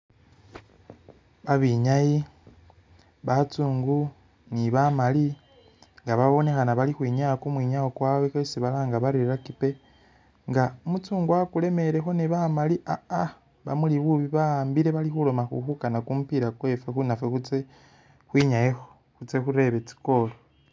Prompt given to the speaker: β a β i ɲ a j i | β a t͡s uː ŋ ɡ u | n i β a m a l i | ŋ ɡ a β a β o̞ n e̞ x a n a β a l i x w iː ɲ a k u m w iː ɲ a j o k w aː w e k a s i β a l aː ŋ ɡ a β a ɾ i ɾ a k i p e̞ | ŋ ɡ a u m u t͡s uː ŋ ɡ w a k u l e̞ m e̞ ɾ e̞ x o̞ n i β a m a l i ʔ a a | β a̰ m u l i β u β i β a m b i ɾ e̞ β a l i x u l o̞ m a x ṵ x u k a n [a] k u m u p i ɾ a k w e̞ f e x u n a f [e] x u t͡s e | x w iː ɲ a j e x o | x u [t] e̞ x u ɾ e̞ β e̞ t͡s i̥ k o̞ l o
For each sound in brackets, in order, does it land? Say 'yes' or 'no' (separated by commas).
yes, yes, no